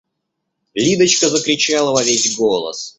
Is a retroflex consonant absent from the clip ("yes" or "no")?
yes